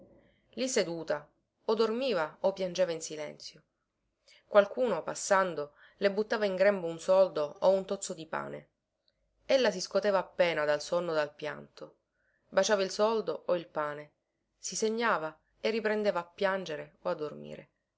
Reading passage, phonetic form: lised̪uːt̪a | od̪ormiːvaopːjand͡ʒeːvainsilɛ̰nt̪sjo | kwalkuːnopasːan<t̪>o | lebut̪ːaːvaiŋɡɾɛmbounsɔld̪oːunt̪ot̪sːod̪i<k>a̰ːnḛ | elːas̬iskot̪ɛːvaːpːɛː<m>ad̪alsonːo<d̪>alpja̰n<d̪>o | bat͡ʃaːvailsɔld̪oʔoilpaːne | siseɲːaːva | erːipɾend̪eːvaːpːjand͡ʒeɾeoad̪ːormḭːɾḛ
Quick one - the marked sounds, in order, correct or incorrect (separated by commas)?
incorrect, incorrect, incorrect, correct, incorrect